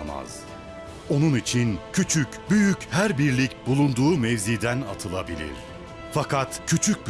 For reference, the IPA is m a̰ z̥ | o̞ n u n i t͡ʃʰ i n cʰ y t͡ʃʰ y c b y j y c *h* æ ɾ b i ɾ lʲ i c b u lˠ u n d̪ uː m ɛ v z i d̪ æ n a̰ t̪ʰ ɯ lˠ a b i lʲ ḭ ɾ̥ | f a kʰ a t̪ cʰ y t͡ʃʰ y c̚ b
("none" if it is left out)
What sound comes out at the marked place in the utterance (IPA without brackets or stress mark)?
h